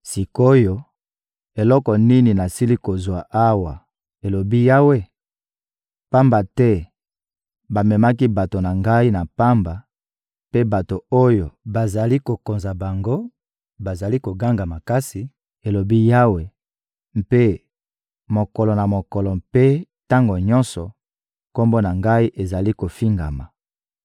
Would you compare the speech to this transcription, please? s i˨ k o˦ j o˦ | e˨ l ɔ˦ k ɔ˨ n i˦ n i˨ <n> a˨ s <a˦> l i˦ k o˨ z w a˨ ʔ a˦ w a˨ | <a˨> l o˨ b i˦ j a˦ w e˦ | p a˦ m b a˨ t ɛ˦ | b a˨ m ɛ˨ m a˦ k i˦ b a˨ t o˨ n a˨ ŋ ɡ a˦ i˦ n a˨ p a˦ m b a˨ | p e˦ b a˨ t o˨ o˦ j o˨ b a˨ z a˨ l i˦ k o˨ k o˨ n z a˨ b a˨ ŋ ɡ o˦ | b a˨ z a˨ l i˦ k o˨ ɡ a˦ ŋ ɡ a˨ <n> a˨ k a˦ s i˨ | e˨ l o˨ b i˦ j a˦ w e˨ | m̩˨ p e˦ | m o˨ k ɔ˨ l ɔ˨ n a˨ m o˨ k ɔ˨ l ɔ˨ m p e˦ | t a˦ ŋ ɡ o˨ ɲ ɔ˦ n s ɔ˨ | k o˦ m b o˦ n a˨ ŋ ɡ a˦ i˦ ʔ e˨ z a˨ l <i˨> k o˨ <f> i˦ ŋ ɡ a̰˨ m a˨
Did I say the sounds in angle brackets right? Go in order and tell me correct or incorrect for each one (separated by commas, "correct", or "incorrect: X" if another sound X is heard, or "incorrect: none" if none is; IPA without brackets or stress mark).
correct, incorrect: i˦, incorrect: e˨, incorrect: m, incorrect: i˦, correct